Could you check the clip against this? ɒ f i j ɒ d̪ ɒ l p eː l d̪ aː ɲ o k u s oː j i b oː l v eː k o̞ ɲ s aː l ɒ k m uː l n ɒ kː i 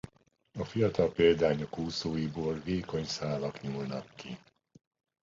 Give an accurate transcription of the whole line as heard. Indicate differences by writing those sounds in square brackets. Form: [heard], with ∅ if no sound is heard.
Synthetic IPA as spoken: ɒ f i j ɒ [t̪] ɒ l p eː l d̪ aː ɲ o k [uː] s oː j i b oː l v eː k o̞ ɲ s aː l ɒ k [ɲ] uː l n ɒ kː i